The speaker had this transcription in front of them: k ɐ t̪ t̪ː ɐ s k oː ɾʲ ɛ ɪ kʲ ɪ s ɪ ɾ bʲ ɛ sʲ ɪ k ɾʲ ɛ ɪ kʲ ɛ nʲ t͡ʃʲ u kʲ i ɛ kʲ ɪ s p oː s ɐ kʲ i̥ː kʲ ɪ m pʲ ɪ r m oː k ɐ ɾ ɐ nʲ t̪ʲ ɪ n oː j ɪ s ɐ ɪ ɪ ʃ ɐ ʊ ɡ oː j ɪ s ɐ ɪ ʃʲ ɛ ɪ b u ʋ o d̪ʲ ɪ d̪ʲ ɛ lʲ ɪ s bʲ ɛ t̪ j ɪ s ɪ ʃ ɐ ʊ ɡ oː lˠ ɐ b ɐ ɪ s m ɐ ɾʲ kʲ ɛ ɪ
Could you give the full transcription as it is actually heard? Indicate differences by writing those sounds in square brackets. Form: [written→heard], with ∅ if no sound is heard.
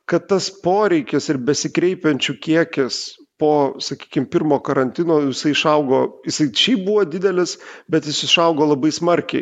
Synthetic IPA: k ɐ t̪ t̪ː ɐ s [k→p] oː ɾʲ ɛ ɪ kʲ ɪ s ɪ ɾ bʲ ɛ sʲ ɪ k ɾʲ ɛ ɪ [kʲ→pʲ] ɛ nʲ t͡ʃʲ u kʲ i ɛ kʲ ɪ s p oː s ɐ kʲ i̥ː kʲ ɪ m pʲ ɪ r m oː k ɐ ɾ ɐ nʲ t̪ʲ ɪ n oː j ɪ s ɐ ɪ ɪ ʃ ɐ ʊ ɡ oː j ɪ s ɐ ɪ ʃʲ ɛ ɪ b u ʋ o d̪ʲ ɪ d̪ʲ ɛ lʲ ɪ s bʲ ɛ t̪ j ɪ s ɪ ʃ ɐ ʊ ɡ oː lˠ ɐ b ɐ ɪ s m ɐ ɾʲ kʲ ɛ ɪ